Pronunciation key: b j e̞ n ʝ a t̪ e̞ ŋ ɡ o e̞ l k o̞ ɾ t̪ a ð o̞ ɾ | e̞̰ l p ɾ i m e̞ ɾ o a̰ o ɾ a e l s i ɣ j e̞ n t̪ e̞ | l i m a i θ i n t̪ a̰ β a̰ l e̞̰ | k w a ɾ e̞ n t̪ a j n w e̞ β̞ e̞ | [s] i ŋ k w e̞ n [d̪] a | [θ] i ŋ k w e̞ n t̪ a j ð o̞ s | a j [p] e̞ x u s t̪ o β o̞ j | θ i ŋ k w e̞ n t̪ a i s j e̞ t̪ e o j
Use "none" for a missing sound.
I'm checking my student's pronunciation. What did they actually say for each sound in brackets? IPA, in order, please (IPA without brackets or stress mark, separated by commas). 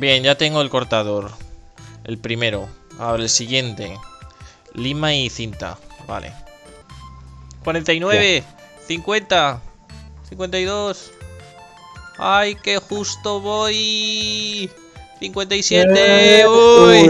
θ, t̪, θ, k